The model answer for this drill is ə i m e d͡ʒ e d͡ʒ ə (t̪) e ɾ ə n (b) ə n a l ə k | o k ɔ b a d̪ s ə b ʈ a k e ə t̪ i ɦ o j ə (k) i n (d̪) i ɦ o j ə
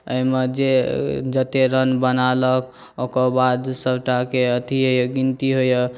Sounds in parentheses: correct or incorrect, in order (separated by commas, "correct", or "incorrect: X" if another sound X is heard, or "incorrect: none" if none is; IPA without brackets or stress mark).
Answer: correct, correct, incorrect: ɡ, incorrect: t̪